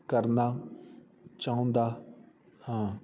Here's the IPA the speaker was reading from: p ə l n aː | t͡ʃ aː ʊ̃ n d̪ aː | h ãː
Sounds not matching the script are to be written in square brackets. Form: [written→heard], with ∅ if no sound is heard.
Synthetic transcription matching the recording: [p→k] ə [l→ɾ] n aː | t͡ʃ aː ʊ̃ n d̪ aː | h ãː